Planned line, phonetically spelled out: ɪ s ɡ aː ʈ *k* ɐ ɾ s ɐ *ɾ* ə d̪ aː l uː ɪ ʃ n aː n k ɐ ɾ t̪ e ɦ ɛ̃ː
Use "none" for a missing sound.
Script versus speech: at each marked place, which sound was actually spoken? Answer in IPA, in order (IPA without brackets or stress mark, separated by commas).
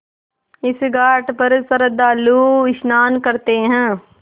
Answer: p, ɾ